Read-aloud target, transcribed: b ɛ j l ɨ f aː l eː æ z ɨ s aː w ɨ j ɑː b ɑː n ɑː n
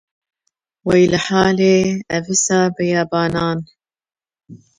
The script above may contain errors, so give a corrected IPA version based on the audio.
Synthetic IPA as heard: w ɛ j l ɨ ħ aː l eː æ v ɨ s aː b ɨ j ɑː b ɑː n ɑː n